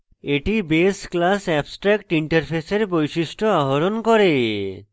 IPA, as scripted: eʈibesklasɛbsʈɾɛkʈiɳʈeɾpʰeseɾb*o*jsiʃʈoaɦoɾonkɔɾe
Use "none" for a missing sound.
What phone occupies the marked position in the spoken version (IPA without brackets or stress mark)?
o